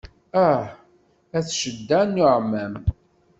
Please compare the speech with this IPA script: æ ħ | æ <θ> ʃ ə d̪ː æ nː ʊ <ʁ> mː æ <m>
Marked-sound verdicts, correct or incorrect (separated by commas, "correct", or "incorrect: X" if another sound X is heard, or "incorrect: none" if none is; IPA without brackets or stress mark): correct, incorrect: ʕ, correct